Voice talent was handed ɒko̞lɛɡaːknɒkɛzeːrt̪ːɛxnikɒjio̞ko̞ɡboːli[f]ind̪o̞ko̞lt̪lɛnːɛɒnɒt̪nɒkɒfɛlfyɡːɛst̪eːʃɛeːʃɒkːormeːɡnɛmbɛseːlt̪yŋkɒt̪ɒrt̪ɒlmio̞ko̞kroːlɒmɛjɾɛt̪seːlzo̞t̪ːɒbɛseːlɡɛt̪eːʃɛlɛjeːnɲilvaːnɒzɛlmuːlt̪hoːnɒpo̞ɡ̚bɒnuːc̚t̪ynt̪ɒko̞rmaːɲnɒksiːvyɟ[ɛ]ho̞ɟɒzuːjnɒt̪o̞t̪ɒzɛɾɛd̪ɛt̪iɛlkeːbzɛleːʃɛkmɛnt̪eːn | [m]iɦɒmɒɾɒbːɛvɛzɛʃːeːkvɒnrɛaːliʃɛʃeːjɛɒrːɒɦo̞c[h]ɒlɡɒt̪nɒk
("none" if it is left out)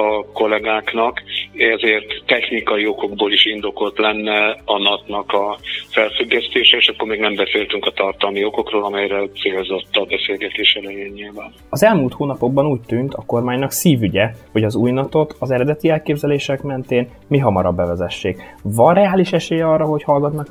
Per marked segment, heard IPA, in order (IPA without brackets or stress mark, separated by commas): ʃ, ɛ, m, h